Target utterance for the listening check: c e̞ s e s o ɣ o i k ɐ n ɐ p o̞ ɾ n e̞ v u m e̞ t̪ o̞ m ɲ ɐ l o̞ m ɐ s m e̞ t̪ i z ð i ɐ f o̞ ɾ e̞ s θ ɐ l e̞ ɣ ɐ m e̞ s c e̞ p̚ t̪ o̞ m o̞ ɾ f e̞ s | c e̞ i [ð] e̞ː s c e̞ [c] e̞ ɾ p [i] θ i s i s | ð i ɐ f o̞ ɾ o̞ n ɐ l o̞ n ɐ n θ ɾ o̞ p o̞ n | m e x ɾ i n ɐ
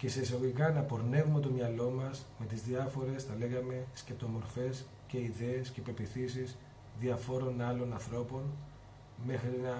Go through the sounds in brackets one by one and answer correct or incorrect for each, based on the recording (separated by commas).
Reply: correct, incorrect, correct